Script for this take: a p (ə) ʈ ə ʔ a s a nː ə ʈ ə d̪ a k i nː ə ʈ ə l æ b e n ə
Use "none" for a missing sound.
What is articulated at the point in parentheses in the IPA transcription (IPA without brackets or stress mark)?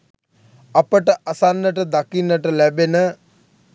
ə